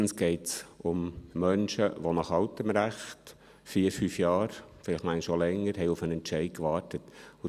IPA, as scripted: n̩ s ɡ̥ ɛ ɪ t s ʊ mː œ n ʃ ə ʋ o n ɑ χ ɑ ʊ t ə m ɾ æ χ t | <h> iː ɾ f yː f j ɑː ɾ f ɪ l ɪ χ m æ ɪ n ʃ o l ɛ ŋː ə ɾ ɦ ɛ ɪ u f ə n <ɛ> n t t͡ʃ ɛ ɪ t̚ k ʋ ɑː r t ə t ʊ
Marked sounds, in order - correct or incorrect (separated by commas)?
incorrect, correct